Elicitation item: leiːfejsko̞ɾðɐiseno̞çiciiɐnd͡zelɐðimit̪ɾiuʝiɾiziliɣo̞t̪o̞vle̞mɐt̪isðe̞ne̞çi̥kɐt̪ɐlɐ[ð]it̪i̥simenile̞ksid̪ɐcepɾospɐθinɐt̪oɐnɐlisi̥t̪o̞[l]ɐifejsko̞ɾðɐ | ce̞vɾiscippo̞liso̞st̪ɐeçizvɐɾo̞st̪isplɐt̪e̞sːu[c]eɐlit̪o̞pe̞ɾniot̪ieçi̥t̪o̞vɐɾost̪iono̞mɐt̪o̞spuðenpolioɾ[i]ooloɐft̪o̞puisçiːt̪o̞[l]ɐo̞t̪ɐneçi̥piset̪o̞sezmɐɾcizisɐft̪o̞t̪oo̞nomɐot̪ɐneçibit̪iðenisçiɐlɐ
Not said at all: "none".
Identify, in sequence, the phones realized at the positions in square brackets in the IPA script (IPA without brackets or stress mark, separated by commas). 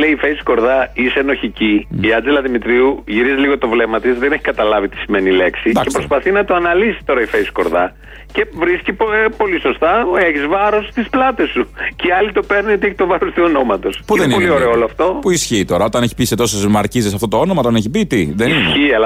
v, ɾ, c, e, ɾ